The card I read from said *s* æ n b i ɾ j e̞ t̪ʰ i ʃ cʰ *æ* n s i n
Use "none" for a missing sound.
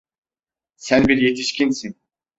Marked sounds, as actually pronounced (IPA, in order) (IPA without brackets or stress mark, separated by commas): s, i